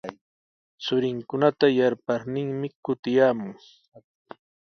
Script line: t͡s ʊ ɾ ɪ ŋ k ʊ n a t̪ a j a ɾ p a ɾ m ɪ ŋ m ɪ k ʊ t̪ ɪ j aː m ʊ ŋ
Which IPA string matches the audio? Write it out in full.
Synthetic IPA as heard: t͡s ʊ ɾ ɪ ŋ k ʊ n a t̪ a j a ɾ p a ɾ n ɪ ŋ m ɪ k ʊ t̪ ɪ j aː m ʊ ŋ

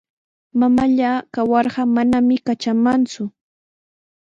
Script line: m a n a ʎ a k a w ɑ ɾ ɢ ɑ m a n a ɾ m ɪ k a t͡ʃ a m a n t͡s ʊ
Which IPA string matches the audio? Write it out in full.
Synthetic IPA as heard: m a m a ʎ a k a w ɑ ɾ ɢ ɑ m a n a m ɪ k a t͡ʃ a m a n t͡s ʊ

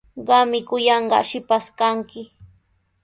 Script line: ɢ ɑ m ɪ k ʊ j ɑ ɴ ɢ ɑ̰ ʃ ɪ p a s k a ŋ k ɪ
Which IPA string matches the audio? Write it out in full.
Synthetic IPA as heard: ɢ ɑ m ɪ k ʊ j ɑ ɴ ɢ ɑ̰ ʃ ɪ p a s k a ŋ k ɪ

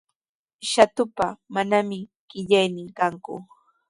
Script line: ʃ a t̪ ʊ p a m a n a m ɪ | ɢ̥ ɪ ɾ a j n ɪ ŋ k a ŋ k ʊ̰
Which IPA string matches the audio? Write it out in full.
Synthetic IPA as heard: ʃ a t̪ ʊ p a m a n a m ɪ | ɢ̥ ɪ ʎ a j n ɪ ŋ k a ŋ k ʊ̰

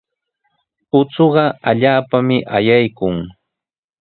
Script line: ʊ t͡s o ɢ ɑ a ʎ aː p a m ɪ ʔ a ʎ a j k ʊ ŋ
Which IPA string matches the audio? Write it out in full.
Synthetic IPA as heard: ʊ t͡s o ɢ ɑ a ʎ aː p a m ɪ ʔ a j a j k ʊ ŋ

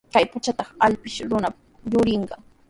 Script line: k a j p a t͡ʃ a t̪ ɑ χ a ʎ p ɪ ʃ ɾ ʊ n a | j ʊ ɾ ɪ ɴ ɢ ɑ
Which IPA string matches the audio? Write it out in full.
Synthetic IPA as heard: k a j p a t͡ʃ a t̪ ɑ χ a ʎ p ɪ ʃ ɾ ʊ n a | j ʊ ɾ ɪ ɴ ɢ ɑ

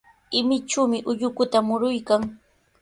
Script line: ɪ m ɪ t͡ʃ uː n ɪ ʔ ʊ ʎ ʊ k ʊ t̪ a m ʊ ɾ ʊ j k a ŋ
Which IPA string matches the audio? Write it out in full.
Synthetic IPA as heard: ɪ m ɪ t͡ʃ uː m ɪ ʔ ʊ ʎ ʊ k ʊ t̪ a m ʊ ɾ ʊ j k a ŋ

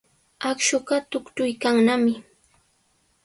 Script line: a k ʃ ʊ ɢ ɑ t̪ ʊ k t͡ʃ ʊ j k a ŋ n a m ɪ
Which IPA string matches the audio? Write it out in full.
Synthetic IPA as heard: a k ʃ ʊ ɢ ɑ t̪ ʊ k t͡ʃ ʊ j k a ŋ n a m ɪ

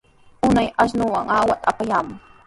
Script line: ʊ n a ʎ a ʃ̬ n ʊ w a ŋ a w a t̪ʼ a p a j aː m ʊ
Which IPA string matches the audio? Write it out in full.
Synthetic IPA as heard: ʊ n a j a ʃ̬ n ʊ w a ŋ a w a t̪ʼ a p a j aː m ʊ

